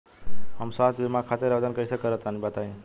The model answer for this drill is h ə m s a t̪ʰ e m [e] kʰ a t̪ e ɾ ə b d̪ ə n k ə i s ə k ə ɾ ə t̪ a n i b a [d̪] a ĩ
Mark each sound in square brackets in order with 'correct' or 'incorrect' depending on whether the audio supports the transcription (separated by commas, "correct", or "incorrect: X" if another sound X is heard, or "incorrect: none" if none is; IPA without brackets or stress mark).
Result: incorrect: a, incorrect: t̪